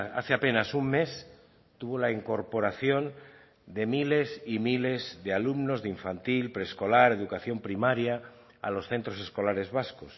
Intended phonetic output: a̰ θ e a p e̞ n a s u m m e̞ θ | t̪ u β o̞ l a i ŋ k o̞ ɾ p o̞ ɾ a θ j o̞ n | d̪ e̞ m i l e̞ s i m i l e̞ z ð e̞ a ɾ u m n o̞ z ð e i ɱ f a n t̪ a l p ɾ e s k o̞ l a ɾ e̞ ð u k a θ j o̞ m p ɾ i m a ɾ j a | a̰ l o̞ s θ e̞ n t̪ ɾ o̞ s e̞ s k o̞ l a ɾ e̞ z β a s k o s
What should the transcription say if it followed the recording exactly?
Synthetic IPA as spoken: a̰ θ e a p e̞ n a s u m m e̞ s | t̪ u β o̞ l a i ŋ k o̞ ɾ p o̞ ɾ a θ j o̞ n | d̪ e̞ m i l e̞ s i m i l e̞ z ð e̞ a l u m n o̞ z ð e i ɱ f a n t̪ i l p ɾ e s k o̞ l a ɾ e̞ ð u k a θ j o̞ m p ɾ i m a ɾ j a | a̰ l o̞ s θ e̞ n t̪ ɾ o̞ s e̞ s k o̞ l a ɾ e̞ z β a s k o s